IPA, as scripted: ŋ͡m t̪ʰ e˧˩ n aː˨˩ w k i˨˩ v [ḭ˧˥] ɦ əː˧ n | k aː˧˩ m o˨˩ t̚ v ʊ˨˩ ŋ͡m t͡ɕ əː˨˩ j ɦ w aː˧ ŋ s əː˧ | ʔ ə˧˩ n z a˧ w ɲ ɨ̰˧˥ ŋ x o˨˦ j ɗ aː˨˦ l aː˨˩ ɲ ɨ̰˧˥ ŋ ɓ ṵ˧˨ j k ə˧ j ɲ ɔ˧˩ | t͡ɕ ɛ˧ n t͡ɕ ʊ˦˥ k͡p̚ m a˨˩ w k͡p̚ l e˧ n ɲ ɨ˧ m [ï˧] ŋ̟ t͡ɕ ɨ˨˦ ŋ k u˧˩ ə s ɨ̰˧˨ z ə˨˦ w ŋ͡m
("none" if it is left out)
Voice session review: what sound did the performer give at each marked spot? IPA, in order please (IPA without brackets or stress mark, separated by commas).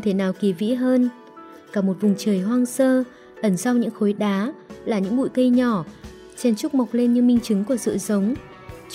ḭ˧˥, ï˧